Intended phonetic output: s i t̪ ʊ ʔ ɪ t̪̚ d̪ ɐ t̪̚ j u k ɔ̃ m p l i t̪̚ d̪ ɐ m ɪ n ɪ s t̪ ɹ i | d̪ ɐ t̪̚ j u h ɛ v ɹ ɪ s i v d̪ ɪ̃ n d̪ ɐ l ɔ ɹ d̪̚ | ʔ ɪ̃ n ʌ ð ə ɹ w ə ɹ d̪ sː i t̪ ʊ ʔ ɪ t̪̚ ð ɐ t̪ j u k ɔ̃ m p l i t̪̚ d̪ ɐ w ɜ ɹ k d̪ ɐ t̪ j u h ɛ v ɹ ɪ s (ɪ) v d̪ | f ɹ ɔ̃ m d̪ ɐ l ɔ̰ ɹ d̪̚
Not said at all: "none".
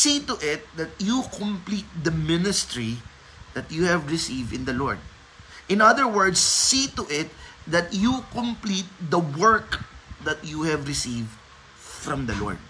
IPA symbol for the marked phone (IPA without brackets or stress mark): i